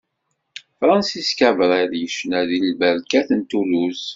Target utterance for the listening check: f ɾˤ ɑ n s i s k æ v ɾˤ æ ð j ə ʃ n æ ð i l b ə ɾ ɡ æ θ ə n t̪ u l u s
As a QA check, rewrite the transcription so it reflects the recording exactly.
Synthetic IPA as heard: f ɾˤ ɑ n s i s k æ v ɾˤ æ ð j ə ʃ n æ ð i l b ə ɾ k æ θ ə n t̪ u l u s